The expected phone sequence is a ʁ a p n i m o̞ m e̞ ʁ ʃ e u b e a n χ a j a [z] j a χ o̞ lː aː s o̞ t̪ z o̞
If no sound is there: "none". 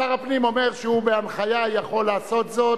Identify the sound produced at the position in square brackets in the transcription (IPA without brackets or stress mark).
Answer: none